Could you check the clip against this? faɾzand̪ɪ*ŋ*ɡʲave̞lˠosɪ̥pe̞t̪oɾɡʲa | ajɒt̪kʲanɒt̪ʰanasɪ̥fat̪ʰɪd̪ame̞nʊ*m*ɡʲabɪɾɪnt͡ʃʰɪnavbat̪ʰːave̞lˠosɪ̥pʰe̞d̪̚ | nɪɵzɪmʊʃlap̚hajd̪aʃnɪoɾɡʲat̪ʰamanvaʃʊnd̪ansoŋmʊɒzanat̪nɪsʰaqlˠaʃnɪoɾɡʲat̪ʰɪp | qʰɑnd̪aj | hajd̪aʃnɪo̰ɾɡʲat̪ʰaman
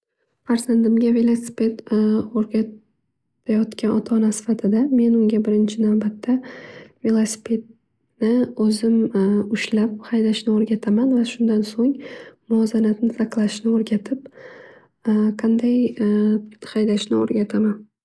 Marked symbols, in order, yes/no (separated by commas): no, no